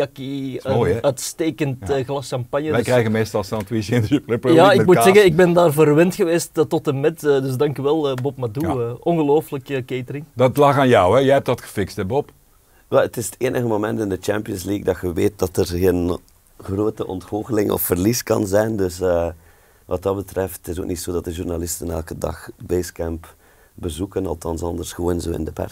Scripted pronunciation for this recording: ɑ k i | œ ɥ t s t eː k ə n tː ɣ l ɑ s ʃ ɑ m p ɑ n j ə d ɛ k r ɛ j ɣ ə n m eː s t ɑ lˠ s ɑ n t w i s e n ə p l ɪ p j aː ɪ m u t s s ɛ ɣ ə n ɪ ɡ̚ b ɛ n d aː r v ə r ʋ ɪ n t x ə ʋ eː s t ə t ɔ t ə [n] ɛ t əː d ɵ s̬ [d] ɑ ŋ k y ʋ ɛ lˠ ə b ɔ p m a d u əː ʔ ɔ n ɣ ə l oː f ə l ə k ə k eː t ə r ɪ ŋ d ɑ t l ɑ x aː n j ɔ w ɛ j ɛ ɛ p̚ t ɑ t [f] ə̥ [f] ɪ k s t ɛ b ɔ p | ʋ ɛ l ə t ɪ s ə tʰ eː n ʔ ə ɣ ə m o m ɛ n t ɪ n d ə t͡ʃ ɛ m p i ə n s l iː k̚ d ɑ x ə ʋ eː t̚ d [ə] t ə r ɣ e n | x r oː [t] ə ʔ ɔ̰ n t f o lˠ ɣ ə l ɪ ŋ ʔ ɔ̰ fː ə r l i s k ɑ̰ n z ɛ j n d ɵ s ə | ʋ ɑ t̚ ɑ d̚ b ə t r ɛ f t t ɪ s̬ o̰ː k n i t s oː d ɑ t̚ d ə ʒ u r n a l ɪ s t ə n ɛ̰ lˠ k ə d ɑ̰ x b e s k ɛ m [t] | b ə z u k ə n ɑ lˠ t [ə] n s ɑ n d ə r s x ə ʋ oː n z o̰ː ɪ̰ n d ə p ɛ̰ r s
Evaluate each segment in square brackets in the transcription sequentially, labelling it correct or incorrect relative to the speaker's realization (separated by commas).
incorrect, correct, incorrect, correct, incorrect, correct, incorrect, incorrect